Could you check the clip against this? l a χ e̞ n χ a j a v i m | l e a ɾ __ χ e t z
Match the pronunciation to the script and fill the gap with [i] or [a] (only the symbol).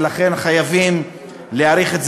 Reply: i